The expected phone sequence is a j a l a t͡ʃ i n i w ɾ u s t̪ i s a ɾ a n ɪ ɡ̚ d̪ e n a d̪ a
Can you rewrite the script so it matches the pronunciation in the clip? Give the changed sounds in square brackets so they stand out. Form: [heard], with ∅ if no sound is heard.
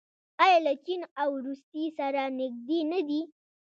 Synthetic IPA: a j a l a t͡ʃ i n [a] w ɾ u s t̪ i s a ɾ a n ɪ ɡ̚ d̪ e n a d̪ [i]

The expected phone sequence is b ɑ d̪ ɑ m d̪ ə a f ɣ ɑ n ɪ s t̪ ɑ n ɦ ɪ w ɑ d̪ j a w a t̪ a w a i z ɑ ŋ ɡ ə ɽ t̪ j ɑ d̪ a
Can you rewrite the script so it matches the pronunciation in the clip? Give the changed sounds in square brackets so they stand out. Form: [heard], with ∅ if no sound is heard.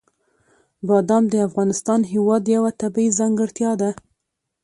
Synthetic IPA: b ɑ d̪ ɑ m d̪ ə a f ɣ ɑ n ɪ s t̪ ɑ n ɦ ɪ w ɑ d̪ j a w a t̪ a [b] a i z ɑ ŋ ɡ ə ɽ t̪ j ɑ d̪ a

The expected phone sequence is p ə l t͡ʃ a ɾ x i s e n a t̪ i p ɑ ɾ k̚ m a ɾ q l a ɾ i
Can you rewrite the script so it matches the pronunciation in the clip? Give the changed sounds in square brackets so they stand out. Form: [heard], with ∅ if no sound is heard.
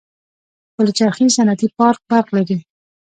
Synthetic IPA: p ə l t͡ʃ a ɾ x i s [a] n a t̪ i p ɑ ɾ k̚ [b] a ɾ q l a ɾ i

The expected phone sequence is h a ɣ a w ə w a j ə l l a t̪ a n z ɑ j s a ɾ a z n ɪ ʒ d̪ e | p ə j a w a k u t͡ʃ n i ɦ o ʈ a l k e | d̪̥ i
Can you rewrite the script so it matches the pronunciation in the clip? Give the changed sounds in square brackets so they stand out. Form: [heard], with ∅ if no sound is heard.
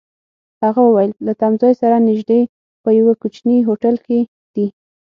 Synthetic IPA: h a ɣ a w ə w a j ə l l a t̪ a [m] z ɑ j s a ɾ a [∅] n ɪ ʒ d̪ e | p ə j a w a k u t͡ʃ n i ɦ o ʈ a l k e | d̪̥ i

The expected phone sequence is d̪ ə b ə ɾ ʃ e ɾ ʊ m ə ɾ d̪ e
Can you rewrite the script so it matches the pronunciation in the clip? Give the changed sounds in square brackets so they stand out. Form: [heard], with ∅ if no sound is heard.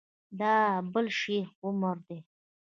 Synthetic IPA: d̪ [ɑ] b ə [l] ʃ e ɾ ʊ m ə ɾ d̪ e

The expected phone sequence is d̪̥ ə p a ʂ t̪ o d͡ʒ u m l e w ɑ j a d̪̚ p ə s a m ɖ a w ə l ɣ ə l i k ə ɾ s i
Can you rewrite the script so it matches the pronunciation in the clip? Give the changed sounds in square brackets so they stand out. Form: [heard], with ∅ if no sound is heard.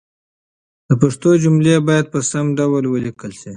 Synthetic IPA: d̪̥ ə p a ʂ t̪ o d͡ʒ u m l e [b] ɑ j a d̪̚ p ə s a m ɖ a w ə l [w] ə l i k ə [l] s i

